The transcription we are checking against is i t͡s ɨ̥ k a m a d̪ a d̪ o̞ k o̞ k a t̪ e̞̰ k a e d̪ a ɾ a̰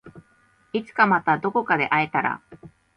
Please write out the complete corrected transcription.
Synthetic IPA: i t͡s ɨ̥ k a m a t̪ a d̪ o̞ k o̞ k a d̪ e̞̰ ʔ a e t̪ a ɾ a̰